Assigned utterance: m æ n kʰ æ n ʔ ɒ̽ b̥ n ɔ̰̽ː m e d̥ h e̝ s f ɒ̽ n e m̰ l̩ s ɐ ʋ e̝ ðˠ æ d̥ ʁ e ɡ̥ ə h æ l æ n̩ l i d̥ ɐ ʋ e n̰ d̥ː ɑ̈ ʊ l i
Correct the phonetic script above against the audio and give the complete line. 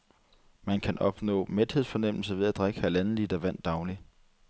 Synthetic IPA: m æ n kʰ æ n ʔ ɒ̽ b̥ n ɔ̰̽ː m e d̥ h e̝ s f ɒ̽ n e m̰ l̩ s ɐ ʋ e̝ ðˠ æ d̥ ʁ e ɡ̥ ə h æ l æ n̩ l i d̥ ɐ ʋ æ n̰ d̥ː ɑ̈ ʊ l i